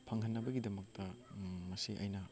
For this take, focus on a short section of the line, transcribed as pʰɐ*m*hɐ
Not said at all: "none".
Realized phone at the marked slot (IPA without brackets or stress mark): ŋ